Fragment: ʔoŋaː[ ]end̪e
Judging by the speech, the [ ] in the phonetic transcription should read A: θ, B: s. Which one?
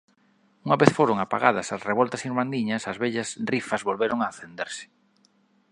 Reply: A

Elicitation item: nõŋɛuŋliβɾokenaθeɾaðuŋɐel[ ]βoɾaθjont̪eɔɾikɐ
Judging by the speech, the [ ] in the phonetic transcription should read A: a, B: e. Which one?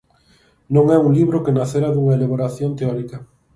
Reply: B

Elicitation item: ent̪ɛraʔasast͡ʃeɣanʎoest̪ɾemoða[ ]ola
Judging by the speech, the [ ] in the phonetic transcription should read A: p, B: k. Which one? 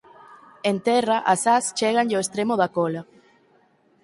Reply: B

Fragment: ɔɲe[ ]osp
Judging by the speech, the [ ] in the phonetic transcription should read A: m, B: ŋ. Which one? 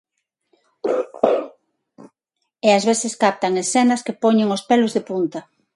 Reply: B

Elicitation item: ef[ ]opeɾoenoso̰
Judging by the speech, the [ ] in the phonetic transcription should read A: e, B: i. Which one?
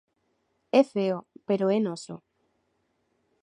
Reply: A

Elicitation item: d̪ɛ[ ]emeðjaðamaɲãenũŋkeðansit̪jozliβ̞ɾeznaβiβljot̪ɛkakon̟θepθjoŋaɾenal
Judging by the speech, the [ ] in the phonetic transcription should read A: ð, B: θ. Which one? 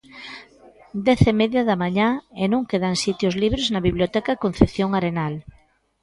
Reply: B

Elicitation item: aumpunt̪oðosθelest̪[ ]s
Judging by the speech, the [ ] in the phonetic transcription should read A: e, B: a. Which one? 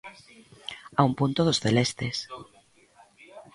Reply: A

